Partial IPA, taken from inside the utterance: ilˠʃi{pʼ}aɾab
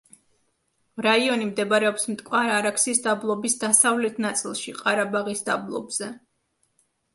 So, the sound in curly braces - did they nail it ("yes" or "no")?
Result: no